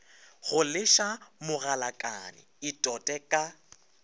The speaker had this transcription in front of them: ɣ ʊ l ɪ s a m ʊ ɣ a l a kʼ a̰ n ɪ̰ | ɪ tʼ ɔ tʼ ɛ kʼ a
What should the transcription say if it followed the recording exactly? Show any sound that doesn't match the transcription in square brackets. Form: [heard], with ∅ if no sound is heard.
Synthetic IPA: ɣ ʊ l ɪ [ʃ] a m ʊ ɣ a l a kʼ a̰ n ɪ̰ | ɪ tʼ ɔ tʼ ɛ kʼ a